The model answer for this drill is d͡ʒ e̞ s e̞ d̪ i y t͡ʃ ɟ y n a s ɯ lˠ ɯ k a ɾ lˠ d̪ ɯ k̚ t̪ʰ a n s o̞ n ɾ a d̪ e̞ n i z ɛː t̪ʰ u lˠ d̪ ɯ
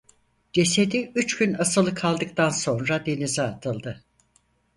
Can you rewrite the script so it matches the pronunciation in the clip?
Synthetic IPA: d͡ʒ e̞ s e̞ d̪ i y t͡ʃ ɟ y n a s ɯ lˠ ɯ kʰ a lˠ d̪ ɯ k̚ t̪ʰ a n s o̞ n ɾ a d̪ e̞ n i z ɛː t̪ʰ ɯ lˠ d̪ ɯ